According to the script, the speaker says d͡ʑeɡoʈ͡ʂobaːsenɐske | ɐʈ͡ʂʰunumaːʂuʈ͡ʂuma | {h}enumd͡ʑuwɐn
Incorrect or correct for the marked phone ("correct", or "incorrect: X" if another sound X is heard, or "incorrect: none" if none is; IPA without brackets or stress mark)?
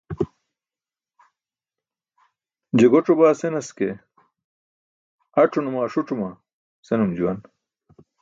incorrect: s